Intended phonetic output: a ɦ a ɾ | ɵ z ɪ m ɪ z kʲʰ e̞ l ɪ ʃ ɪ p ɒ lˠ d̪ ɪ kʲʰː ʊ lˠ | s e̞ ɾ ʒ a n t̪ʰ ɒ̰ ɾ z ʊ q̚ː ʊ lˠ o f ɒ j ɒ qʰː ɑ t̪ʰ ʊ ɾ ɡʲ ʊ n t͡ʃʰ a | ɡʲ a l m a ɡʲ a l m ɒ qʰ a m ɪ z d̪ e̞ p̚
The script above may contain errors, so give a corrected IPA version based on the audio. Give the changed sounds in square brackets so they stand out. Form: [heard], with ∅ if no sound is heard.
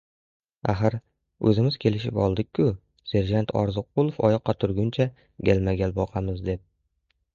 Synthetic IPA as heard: a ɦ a ɾ | ɵ z ɪ m ɪ z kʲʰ e̞ l ɪ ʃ ɪ p ɒ lˠ d̪ ɪ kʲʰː ʊ [∅] | s e̞ ɾ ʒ a n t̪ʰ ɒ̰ ɾ z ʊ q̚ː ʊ lˠ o f ɒ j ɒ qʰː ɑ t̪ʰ ʊ ɾ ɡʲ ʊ n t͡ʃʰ a | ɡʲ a l m a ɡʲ a l [b] ɒ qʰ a m ɪ z d̪ e̞ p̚